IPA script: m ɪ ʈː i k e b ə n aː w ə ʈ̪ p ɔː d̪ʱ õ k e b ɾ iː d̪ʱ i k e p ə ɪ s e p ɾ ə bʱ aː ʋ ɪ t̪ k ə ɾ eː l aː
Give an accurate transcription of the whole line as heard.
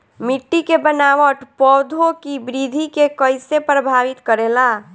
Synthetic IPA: m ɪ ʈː i k e b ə n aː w ə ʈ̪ p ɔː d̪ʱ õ k i b ɾ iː d̪ʱ i k e k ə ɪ s e p ɾ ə bʱ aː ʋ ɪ t̪ k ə ɾ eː l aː

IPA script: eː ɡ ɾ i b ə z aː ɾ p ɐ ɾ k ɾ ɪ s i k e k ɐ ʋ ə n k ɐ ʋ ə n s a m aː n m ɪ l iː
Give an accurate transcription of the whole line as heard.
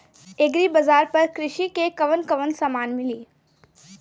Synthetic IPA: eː ɡ ɾ i b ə z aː ɾ p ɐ ɾ k ɾ ɪ ʃ i k e k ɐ ʋ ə n k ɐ ʋ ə n s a m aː n m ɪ l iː

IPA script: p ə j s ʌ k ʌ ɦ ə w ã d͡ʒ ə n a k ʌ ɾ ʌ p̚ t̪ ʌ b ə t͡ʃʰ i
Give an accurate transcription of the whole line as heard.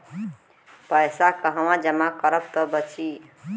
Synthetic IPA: p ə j s a k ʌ ɦ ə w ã d͡ʒ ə m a k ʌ ɾ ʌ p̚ t̪ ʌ b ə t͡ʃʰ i

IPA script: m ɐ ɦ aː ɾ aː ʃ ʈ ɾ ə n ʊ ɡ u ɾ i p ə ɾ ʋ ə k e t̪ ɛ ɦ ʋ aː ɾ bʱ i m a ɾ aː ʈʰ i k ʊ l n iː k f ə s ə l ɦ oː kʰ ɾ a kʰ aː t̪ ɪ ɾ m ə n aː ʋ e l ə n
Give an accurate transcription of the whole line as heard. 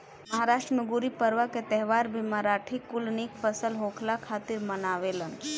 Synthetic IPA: m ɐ ɦ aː ɾ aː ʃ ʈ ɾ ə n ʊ ɡ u ɾ i p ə ɾ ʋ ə k e t̪ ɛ ɦ ʋ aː ɾ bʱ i m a ɾ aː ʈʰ i k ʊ l n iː k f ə s ə l ɦ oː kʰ l a kʰ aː t̪ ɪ ɾ m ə n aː ʋ e l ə n

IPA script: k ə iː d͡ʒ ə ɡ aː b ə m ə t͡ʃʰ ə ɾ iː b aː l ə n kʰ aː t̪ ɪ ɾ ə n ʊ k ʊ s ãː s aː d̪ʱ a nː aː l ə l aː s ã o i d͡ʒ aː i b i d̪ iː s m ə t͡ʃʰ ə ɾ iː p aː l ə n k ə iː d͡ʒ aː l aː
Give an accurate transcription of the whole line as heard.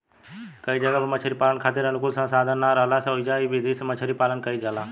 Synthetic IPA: k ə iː d͡ʒ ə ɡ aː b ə m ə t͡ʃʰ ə ɾ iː p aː l ə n kʰ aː t̪ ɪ ɾ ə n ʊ k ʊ s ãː s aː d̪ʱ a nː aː ɾ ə l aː s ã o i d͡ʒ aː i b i d̪ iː s m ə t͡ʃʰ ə ɾ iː p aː l ə n k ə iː d͡ʒ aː l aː

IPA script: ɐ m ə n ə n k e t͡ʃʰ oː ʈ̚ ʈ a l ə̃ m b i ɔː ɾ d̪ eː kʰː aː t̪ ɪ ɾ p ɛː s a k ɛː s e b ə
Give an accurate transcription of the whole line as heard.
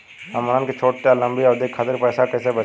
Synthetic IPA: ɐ m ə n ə n k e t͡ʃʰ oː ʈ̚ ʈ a l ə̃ m b i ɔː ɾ d̪ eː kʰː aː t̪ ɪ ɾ p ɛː s a k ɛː s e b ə

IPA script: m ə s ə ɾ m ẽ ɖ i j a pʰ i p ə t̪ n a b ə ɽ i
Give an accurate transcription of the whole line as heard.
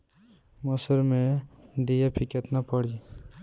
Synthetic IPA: m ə s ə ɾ m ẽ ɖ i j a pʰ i k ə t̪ n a p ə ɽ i

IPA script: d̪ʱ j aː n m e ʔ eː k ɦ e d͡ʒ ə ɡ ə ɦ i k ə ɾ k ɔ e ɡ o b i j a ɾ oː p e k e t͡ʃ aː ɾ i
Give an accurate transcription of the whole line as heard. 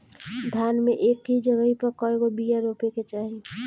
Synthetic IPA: d̪ʱ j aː n m e ʔ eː k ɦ i d͡ʒ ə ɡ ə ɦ i p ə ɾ k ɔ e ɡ o b i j a ɾ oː p e k e t͡ʃ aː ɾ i

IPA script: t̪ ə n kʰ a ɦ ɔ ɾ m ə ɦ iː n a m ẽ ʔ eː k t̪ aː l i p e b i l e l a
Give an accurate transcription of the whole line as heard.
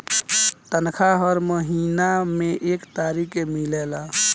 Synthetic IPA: t̪ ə n kʰ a ɦ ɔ ɾ m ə ɦ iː n a m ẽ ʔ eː k t̪ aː ɾ i k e m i l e l a

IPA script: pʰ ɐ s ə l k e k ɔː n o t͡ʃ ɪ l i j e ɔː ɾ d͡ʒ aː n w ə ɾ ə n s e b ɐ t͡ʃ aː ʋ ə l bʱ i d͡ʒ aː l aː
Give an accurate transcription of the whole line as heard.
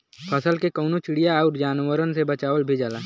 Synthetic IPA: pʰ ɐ s ə l k e k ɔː n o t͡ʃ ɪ ɽ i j a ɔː ɾ d͡ʒ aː n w ə ɾ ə n s e b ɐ t͡ʃ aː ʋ ə l bʱ i d͡ʒ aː l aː

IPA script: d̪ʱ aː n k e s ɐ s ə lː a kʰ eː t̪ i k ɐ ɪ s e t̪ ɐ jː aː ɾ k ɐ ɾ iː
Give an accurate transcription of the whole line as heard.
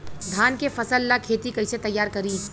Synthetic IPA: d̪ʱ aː n k e f ɐ s ə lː a kʰ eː t̪ i k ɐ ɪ s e t̪ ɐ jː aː ɾ k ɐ ɾ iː

